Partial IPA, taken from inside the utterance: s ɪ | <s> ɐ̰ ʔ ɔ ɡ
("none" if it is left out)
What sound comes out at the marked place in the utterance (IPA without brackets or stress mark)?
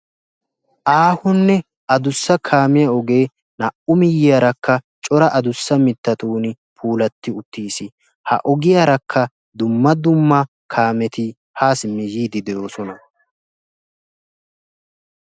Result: h